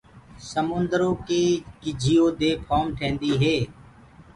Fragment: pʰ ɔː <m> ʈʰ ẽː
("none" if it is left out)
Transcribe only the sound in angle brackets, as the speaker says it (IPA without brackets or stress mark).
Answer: m